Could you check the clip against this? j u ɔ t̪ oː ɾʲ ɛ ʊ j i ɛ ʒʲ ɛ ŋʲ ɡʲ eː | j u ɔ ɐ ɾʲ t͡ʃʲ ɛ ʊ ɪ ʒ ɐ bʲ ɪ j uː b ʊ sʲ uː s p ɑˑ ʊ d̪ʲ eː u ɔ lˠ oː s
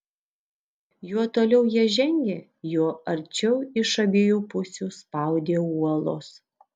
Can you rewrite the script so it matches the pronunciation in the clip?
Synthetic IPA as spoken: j u ɔ t̪ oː lʲ ɛ ʊ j i ɛ ʒʲ ɛ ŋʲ ɡʲ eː | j u ɔ ɐ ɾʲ t͡ʃʲ ɛ ʊ ɪ ʃ ɐ bʲ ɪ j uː p ʊ sʲ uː s p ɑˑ ʊ d̪ʲ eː u ɔ lˠ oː s